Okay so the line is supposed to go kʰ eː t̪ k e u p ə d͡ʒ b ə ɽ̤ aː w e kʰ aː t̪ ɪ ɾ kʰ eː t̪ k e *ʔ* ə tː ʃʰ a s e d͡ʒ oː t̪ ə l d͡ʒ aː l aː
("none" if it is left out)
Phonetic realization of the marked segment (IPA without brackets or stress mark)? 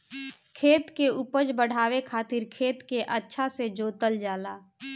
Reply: ʔ